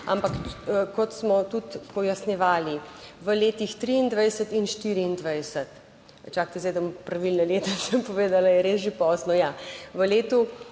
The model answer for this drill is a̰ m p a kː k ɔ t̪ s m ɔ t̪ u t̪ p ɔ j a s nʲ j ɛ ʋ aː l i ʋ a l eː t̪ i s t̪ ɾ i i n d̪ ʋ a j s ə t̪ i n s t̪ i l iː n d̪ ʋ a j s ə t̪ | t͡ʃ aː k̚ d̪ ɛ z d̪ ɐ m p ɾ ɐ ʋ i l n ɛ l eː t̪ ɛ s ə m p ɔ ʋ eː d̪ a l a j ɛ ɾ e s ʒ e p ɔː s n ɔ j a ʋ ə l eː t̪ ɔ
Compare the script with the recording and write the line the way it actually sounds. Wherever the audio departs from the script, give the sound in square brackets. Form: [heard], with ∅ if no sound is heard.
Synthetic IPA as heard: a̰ m p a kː k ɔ t̪ s m ɔ t̪ u t̪ p ɔ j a s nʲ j ɛ ʋ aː l i ʋ [ə] l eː t̪ i [x] t̪ ɾ i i n d̪ ʋ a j s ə t̪ i n [ʃ] t̪ i [ɾ] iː n d̪ ʋ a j s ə t̪ | t͡ʃ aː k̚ [t̪] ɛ z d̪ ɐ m p ɾ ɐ ʋ i l n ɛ l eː t̪ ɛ s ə m p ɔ ʋ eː d̪ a l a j ɛ ɾ e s ʒ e p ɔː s n ɔ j a ʋ ə l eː t̪ [u]